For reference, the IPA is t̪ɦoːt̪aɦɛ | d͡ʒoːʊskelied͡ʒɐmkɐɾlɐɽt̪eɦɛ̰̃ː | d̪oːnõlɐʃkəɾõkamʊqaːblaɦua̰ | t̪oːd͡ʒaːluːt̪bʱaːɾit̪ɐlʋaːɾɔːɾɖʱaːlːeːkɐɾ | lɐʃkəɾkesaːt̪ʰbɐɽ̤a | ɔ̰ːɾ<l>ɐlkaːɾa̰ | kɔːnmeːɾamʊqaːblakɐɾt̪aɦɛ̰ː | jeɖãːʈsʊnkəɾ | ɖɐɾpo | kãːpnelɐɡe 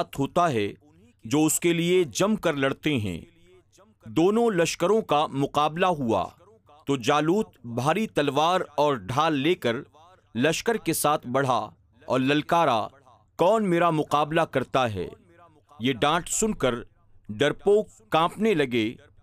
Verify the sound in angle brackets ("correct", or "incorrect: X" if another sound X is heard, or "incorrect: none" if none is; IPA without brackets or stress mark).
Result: correct